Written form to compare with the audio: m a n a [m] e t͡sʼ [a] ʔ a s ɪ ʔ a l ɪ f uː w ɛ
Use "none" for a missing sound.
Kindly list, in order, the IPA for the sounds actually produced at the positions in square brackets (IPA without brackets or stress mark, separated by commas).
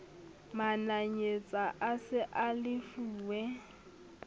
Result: ɲ, a